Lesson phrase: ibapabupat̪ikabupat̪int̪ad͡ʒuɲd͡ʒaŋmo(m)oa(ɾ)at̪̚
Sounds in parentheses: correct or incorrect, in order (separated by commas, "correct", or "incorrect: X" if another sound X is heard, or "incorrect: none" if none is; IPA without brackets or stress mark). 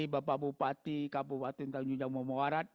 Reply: correct, correct